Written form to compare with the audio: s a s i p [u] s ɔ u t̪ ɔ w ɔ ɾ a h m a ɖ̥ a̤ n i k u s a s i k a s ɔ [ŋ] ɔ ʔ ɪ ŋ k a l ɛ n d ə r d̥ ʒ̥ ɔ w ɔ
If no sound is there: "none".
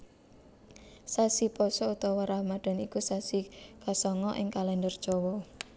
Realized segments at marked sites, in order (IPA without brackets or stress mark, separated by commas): ɔ, ŋ